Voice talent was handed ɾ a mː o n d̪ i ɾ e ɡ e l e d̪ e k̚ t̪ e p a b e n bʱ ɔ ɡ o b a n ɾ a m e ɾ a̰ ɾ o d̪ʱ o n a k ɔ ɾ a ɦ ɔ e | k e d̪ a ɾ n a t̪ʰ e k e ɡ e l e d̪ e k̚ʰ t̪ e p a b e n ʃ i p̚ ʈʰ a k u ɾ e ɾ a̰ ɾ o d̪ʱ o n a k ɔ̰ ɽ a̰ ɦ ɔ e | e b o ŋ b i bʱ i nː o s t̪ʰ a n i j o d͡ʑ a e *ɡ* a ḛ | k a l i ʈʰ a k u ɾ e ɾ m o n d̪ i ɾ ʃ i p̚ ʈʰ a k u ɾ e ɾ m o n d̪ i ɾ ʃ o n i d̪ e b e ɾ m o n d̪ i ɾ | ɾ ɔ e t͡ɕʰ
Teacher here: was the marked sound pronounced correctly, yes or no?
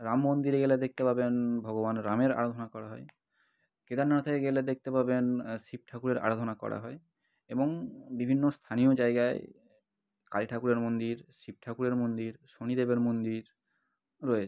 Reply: yes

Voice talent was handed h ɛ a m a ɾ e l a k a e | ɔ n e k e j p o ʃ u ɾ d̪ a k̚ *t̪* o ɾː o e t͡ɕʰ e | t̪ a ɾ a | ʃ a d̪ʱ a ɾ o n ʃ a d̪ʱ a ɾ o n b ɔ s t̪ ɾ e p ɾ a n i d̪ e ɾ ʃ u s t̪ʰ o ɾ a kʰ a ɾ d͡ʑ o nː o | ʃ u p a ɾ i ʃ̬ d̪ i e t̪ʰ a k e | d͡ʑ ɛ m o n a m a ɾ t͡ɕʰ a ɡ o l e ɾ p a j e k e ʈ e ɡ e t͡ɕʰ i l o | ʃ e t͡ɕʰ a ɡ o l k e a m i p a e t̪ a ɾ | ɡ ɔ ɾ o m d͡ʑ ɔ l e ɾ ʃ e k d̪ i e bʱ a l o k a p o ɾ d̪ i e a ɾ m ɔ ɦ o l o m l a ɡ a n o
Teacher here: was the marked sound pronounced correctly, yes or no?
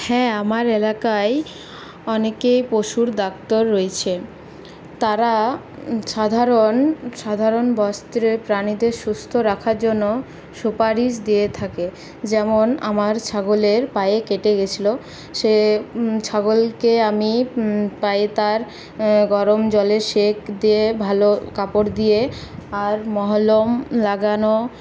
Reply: yes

